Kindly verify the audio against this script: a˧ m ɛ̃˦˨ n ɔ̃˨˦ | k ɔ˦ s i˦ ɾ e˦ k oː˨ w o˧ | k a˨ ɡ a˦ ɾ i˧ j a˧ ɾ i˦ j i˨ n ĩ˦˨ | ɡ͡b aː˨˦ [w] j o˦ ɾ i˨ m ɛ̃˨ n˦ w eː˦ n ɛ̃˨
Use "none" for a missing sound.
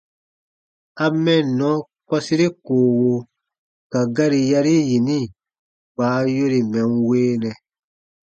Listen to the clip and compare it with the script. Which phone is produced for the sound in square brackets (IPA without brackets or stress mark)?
none